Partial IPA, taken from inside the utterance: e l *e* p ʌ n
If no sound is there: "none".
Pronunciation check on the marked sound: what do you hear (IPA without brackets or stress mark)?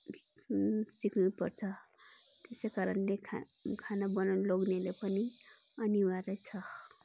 e